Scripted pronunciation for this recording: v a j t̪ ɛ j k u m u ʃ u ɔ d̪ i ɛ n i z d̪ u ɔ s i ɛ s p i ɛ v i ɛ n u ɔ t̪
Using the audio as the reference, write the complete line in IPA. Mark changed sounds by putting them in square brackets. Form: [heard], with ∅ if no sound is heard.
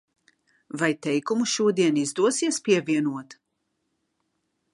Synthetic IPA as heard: v a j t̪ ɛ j k u m u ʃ u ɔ d̪ i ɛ n i z d̪ u ɔ s i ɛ s p i ɛ v i ɛ n u ɔ t̪